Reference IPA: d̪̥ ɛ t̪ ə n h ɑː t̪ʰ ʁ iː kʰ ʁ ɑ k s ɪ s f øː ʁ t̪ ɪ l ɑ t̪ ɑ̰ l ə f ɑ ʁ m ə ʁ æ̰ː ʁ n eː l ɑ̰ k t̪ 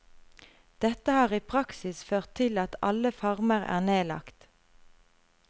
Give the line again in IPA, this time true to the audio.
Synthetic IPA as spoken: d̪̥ ɛ t̪ ə h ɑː ʁ iː pʰ ʁ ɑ k s ɪ s f øː ʁ t̪ʰ ɪ l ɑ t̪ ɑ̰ l ə f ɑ ʁ m ə ʁ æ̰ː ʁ n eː l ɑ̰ k t̪